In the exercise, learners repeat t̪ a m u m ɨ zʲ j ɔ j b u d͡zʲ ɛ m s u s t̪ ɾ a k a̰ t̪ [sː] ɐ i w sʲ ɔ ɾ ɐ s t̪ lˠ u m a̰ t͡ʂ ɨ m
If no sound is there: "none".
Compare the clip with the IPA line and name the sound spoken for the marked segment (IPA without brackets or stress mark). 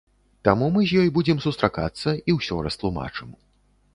sː